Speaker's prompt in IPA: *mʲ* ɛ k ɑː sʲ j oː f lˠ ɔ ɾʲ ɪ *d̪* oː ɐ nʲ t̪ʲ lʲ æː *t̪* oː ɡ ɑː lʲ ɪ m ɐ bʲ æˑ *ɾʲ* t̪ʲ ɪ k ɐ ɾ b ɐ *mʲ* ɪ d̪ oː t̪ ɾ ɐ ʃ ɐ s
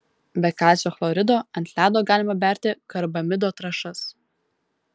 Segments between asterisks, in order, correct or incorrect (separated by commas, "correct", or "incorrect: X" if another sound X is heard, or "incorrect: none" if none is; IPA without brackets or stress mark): incorrect: bʲ, correct, incorrect: d̪, correct, correct